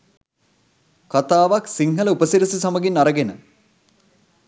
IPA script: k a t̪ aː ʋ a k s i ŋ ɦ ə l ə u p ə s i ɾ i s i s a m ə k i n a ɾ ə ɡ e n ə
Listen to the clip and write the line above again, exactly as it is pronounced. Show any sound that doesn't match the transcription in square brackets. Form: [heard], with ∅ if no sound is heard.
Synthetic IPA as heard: k a t̪ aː ʋ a k s i ŋ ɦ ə l ə u p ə s i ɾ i s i s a m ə [ɡ] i n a ɾ ə ɡ e n ə